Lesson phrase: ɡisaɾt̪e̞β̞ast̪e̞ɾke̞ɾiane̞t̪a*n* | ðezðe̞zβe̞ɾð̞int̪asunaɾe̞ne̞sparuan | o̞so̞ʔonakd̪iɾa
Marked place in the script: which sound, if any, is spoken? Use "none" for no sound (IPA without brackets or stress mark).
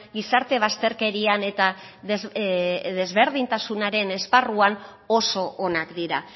none